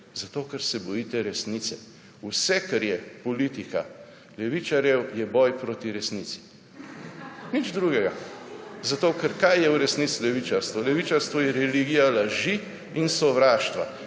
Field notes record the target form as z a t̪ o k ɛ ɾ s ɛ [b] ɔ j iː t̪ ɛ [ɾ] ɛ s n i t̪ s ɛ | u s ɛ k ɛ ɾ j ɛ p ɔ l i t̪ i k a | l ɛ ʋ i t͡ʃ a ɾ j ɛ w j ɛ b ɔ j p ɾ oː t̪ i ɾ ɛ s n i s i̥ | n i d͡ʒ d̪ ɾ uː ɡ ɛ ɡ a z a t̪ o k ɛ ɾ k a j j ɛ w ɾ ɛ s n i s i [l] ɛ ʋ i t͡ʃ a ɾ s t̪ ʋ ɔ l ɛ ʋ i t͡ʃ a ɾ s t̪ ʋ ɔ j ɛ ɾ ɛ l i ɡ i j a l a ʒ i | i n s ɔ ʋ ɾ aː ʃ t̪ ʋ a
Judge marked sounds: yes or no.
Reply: yes, yes, yes

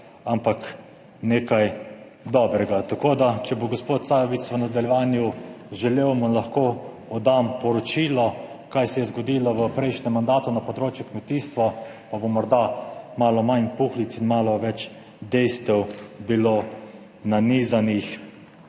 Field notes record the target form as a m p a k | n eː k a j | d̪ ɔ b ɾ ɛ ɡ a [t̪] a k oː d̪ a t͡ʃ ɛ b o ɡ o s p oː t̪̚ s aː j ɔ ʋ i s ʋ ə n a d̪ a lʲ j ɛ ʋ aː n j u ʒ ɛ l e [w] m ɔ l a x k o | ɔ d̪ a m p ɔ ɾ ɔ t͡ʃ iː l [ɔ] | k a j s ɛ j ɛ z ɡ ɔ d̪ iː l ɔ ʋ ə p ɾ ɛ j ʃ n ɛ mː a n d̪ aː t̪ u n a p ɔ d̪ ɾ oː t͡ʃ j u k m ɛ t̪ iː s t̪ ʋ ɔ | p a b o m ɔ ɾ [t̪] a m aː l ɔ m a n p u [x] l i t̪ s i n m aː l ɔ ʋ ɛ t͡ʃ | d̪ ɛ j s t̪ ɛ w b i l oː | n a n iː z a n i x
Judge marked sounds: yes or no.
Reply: yes, yes, yes, no, yes

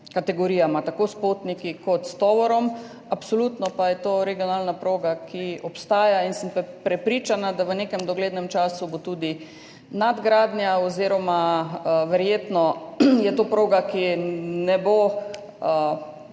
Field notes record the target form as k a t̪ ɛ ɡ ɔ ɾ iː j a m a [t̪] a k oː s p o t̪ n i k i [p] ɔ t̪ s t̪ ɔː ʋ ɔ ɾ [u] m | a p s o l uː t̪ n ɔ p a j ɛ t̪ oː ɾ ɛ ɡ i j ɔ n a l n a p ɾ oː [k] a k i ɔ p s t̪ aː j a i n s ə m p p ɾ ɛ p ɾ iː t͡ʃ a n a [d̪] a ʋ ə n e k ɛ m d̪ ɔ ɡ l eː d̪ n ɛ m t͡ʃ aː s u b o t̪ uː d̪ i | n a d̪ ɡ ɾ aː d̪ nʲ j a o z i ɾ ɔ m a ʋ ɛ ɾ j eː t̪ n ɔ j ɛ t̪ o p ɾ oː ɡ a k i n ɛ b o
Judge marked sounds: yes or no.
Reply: yes, no, no, no, yes

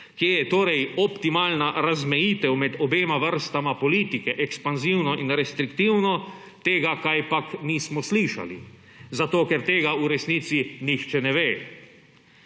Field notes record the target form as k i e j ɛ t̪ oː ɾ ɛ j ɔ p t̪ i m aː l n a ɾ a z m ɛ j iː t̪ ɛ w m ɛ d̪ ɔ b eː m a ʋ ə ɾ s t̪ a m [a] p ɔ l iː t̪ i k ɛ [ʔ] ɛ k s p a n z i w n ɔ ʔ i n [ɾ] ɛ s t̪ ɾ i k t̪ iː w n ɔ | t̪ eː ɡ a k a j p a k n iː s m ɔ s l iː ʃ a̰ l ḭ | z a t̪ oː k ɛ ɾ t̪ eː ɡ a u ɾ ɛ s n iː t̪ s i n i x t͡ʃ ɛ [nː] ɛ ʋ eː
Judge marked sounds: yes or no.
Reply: yes, yes, yes, no

